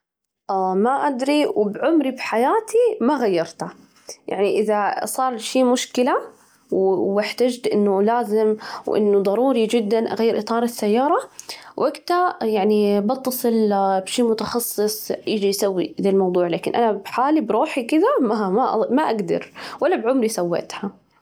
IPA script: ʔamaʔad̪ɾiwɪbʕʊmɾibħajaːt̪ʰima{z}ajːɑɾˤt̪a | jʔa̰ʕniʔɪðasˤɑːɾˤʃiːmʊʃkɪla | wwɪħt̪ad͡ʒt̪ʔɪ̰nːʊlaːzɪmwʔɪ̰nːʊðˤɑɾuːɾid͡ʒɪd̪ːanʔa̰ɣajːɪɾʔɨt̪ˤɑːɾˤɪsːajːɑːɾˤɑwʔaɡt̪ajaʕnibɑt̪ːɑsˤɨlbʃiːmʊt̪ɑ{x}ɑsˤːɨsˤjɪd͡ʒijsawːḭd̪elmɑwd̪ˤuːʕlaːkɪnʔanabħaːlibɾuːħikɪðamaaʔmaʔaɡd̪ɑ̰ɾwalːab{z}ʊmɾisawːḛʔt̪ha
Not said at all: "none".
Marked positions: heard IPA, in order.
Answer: ɣ, x, ʕ

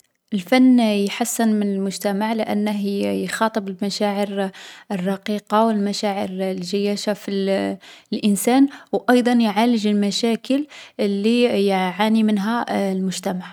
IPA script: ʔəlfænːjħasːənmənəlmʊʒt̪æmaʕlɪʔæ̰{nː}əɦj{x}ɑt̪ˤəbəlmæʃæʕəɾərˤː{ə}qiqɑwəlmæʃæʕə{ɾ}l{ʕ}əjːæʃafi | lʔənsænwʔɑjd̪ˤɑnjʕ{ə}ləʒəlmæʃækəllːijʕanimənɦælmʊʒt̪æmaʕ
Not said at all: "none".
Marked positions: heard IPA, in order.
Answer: nː, x, ɑ, ɾ, ʒ, a

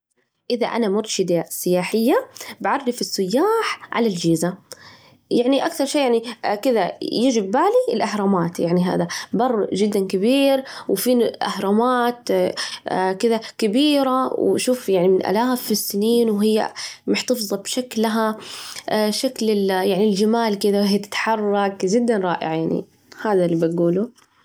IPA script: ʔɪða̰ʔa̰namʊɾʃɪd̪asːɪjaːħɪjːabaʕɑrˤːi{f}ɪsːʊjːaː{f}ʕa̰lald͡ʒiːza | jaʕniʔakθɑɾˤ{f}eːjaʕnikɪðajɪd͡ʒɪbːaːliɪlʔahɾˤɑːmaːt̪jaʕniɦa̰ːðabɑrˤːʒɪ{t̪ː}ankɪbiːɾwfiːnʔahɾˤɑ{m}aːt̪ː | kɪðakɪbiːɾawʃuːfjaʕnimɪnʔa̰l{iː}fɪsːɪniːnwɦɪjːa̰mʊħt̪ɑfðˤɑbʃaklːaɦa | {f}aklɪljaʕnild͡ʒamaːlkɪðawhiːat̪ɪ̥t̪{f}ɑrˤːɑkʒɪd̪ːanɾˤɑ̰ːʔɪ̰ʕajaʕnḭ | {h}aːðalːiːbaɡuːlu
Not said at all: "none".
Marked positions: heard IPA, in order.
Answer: f, ħ, ʃ, d̪ː, m, aː, ʃ, ħ, h

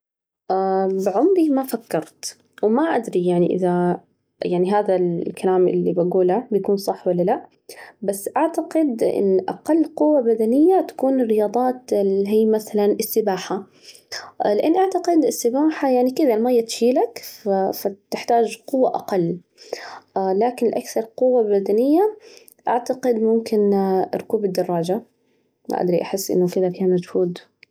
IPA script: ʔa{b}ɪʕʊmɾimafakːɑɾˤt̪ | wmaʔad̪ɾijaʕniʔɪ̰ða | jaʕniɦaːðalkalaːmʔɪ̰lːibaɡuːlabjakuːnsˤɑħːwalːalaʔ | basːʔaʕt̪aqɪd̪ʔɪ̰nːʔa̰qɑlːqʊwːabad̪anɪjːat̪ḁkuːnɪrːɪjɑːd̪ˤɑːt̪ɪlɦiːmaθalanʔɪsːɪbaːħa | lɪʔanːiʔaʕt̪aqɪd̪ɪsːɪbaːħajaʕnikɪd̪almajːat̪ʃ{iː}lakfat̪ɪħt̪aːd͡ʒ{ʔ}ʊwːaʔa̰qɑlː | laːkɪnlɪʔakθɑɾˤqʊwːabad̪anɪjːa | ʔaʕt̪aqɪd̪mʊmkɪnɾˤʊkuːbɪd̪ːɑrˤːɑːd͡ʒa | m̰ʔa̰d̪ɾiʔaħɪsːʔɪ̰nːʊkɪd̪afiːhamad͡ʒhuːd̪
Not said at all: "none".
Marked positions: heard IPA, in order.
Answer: b, iː, q

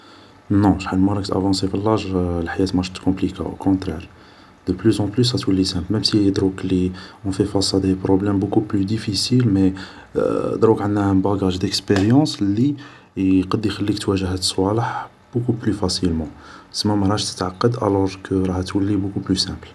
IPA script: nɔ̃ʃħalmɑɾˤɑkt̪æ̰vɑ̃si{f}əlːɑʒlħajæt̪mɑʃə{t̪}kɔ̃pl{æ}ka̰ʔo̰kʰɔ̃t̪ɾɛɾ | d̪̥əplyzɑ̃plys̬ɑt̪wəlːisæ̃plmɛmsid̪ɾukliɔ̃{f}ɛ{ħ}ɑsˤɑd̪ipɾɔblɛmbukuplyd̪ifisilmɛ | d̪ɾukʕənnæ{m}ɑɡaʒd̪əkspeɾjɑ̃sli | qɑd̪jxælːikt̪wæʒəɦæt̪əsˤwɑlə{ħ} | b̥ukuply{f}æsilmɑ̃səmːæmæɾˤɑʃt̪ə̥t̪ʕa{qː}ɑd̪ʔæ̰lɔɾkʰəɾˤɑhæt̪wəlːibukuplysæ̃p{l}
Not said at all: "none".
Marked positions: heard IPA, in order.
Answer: f, t̪, i, f, f, b, ħ, f, qː, l

